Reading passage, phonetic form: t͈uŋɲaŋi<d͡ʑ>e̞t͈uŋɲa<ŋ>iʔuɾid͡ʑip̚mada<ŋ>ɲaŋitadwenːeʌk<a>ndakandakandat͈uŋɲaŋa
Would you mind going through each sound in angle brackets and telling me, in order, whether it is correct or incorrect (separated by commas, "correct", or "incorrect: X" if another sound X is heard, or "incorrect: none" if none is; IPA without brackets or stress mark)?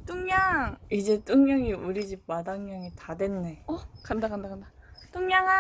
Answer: correct, correct, correct, correct